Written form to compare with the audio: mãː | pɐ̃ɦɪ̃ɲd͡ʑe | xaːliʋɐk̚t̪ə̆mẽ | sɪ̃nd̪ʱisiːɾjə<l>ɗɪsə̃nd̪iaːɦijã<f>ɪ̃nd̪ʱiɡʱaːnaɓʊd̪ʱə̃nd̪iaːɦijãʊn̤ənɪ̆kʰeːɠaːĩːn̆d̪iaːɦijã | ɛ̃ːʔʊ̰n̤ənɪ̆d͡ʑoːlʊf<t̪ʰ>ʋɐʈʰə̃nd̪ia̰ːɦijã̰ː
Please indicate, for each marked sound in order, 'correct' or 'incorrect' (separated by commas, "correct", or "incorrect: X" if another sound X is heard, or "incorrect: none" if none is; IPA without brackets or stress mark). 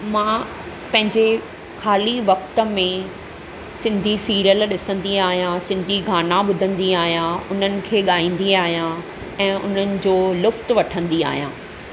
correct, incorrect: s, incorrect: t̪